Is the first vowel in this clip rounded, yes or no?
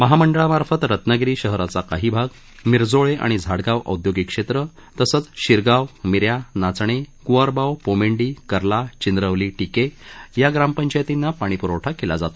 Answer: no